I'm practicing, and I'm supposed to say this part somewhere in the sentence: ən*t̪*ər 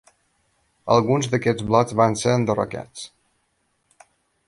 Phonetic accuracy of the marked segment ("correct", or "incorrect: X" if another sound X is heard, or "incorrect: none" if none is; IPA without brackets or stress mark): incorrect: d̪